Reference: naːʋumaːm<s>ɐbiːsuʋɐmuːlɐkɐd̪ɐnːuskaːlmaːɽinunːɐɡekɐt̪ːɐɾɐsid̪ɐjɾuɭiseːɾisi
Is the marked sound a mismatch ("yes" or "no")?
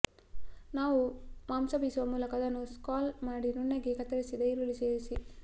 no